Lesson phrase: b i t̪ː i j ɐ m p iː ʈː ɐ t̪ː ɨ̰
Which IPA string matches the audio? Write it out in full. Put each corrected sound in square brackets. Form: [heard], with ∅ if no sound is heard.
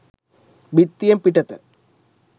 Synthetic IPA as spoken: b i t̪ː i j ɐ m p [i] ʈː ɐ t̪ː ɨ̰